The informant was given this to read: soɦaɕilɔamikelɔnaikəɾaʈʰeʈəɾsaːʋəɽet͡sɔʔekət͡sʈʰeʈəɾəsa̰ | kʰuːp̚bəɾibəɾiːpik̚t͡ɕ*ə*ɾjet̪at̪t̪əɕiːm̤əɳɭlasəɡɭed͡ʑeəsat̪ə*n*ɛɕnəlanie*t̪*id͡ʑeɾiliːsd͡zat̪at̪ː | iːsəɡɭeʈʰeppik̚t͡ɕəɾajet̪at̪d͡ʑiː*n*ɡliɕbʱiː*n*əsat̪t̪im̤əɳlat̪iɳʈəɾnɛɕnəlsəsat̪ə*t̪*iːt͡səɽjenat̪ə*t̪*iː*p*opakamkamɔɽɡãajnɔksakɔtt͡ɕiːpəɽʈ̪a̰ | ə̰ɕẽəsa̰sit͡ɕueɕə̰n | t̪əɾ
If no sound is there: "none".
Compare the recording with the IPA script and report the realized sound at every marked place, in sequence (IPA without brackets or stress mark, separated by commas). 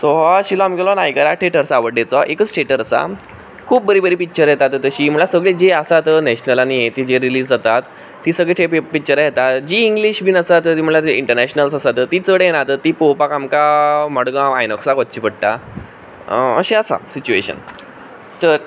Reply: ə, n, t̪, ŋ, n, t̪, t̪, p